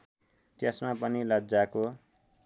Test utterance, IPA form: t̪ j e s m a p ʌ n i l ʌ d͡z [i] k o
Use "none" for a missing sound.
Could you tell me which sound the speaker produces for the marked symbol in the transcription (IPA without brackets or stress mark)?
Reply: a